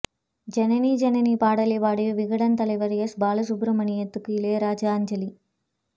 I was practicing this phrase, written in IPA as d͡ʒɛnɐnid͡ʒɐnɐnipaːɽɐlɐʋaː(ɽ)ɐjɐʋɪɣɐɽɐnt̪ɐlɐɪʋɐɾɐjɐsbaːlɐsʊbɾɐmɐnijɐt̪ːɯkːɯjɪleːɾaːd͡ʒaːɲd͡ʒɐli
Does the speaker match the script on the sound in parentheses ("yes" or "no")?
yes